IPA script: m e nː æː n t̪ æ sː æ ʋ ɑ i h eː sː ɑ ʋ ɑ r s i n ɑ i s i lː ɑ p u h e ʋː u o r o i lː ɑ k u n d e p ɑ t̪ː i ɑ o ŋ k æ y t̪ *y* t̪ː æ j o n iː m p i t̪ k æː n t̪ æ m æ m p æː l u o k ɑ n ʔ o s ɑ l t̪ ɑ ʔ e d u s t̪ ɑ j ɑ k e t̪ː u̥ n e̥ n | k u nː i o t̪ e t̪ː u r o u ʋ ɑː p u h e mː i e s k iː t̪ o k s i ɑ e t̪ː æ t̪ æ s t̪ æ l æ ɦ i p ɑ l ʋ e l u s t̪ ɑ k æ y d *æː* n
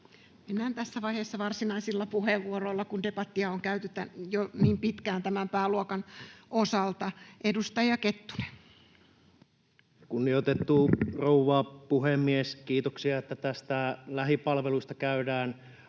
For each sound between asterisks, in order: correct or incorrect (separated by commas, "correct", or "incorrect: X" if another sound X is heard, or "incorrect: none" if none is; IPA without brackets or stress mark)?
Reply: correct, correct